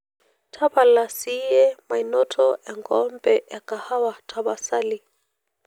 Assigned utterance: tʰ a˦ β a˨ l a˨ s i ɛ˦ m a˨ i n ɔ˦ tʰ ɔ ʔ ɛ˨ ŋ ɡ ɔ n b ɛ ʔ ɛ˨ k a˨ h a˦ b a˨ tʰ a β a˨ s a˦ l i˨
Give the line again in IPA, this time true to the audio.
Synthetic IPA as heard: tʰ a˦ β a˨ l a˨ s i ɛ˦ m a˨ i n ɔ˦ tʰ ɔ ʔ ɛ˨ ŋ ɡ ɔ m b ɛ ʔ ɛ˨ k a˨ h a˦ w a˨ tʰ a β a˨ s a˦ l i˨